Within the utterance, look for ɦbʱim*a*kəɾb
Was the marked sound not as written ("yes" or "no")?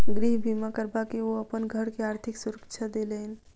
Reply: no